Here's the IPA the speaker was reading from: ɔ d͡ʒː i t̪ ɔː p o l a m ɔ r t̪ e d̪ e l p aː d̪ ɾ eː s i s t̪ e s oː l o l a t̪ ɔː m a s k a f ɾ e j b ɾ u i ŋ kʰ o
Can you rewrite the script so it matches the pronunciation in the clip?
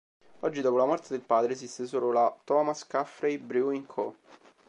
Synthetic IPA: ɔ d͡ʒː i d̪ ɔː p o l a m ɔ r t̪ e d̪ e l p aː d̪ ɾ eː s i s t̪ e s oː l o l a t̪ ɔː m a s k a f ɾ e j b ɾ u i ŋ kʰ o